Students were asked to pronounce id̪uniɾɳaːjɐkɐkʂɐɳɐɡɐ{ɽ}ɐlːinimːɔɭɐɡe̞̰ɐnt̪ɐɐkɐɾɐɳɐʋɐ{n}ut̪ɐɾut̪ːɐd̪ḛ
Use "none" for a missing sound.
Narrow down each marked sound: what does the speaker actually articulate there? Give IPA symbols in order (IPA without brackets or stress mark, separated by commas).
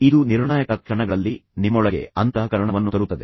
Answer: ɭ, nː